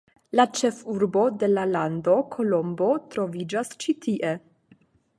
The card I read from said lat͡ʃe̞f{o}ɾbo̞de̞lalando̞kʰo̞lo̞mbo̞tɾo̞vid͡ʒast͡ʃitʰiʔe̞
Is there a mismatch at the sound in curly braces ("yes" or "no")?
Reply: yes